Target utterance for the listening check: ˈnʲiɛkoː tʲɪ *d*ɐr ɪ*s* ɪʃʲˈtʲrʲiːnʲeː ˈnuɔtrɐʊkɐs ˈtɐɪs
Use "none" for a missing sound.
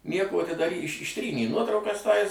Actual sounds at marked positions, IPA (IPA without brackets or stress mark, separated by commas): d, ʃ